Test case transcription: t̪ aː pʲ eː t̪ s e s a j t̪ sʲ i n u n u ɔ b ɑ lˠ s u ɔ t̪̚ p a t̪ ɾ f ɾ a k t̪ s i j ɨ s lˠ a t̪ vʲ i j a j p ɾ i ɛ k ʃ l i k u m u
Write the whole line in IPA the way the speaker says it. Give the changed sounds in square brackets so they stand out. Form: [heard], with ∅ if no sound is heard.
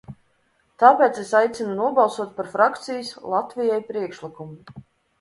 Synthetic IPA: t̪ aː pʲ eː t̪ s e s a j t̪ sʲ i n u n u ɔ b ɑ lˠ s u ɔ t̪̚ p a [∅] ɾ f ɾ a k t̪ s i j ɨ s lˠ a t̪ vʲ i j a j p ɾ i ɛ k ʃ l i k u m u